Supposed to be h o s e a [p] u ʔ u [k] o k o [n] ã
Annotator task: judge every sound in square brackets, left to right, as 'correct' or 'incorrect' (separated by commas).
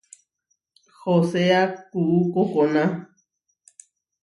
incorrect, correct, correct